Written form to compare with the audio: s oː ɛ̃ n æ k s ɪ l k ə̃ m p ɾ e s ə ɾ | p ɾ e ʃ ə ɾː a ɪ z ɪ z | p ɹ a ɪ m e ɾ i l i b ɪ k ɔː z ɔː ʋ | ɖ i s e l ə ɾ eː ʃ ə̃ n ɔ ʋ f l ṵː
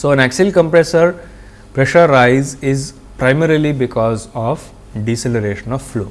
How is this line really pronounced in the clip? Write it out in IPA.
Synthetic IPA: s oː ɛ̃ n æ k s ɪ l k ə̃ m p ɾ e s ə ɾ | p ɾ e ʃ ə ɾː a ɪ z ɪ z | p ɾ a ɪ m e ɾ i l i b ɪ k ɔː z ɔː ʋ | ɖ i s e l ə ɾ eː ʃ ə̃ n ɔ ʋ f l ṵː